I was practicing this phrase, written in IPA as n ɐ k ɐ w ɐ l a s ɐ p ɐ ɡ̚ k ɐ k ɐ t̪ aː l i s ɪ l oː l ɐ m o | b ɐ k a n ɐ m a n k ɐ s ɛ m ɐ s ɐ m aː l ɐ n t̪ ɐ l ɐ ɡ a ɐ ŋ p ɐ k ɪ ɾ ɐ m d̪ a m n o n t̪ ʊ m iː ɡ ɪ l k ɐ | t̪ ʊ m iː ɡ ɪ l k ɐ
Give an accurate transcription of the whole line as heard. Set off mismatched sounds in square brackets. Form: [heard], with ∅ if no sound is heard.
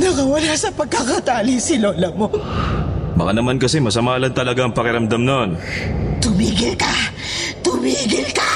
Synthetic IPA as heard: n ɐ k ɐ w ɐ l a s ɐ p ɐ ɡ̚ k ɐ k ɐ t̪ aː l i s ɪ l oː l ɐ m o | b ɐ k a n ɐ m a n k ɐ s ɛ m ɐ s ɐ m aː l ɐ n t̪ ɐ l ɐ ɡ a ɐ ŋ p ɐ k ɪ ɾ ɐ m d̪ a m n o n t̪ ʊ m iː ɡ ɪ l k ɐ | t̪ ʊ m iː ɡ ɪ l k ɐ